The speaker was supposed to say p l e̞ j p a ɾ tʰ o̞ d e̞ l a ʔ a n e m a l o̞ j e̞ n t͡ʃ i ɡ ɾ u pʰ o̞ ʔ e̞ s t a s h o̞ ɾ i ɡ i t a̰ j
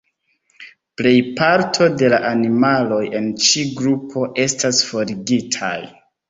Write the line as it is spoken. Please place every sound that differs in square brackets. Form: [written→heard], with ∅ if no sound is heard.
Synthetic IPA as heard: p l e̞ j p a ɾ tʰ o̞ d e̞ l a ʔ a n [e→i] m a l o̞ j e̞ n t͡ʃ i ɡ ɾ u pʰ o̞ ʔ e̞ s t a s [h→f] o̞ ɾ i ɡ i [t→tʰ] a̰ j